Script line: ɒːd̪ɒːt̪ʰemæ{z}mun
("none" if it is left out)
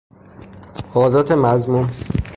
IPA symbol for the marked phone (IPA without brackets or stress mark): z